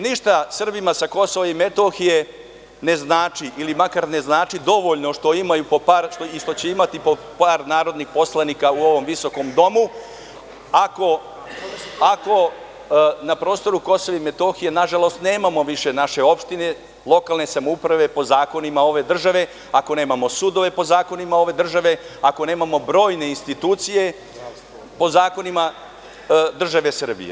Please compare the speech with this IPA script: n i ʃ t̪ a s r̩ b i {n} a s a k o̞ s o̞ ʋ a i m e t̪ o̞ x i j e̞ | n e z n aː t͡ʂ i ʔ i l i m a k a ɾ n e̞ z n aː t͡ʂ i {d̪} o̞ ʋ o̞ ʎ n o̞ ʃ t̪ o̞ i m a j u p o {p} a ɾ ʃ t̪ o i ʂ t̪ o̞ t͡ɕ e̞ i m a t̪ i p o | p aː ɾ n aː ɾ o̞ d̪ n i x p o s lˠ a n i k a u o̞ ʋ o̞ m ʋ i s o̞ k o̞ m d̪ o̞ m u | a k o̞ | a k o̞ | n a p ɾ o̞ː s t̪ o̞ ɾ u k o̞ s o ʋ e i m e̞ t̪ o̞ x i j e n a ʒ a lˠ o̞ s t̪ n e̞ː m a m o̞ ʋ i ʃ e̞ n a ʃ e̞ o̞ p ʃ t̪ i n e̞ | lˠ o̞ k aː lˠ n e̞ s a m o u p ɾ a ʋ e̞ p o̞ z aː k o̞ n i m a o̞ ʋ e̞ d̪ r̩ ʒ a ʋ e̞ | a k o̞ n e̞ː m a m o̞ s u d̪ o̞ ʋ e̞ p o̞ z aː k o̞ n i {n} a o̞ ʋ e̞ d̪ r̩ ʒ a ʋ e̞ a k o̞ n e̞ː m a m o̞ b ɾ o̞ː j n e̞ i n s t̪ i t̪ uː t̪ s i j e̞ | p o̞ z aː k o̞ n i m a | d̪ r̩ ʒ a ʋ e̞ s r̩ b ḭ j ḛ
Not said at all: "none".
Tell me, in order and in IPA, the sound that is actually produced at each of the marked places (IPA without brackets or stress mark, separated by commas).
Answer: m, d̪, p, m